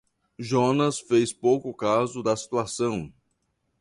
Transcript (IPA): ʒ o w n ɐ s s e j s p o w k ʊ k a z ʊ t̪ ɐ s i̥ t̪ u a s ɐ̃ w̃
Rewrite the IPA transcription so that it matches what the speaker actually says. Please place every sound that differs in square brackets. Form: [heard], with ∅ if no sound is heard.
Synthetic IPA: ʒ o [∅] n ɐ s [f] e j s p o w k ʊ k a z ʊ [d̪] ɐ s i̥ t̪ u a s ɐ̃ w̃